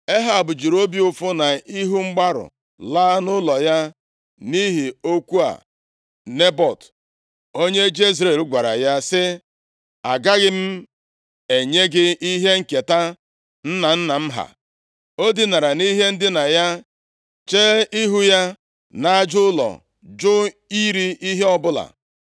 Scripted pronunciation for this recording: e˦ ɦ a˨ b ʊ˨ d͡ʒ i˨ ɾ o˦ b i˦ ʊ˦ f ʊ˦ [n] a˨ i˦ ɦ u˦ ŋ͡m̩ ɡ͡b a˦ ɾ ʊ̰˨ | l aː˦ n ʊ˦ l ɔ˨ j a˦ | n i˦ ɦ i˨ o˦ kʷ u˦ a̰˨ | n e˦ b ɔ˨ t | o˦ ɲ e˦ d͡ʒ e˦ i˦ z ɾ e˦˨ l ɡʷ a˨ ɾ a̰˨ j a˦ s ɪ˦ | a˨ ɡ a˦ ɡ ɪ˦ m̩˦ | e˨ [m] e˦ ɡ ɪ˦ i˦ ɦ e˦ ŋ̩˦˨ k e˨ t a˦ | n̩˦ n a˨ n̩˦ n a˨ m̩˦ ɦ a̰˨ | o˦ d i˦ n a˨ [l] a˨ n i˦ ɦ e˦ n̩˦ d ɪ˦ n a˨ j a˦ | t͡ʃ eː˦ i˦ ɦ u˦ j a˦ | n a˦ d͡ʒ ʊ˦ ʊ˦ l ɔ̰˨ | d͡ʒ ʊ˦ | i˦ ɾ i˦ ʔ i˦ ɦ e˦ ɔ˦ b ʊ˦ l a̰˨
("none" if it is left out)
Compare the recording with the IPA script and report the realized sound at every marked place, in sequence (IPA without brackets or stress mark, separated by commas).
n, ɲ, ɾ